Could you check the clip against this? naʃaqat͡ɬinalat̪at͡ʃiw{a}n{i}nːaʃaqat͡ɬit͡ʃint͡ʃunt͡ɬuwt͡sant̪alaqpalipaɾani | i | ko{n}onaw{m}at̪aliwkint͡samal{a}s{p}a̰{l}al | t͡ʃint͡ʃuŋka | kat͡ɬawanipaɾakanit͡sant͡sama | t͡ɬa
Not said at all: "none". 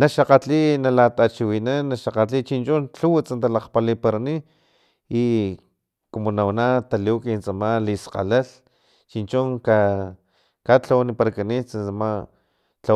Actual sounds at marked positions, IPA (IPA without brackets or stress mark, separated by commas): i, a, m, n, i, q, l